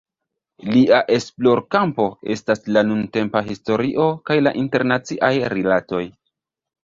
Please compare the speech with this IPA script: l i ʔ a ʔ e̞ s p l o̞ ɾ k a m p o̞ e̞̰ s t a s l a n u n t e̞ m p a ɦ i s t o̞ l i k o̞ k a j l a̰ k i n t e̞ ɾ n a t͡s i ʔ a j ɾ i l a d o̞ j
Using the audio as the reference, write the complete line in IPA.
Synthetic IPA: l i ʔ a ʔ e̞ s p l o̞ ɾ k a m p o̞ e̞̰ s t a s l a n u n t e̞ m p a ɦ i s t o̞ ɾ i ʔ o̞ k a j l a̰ ʔ i n t e̞ ɾ n a t͡s i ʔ a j ɾ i l a t o̞ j